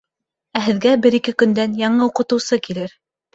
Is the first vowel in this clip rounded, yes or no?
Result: no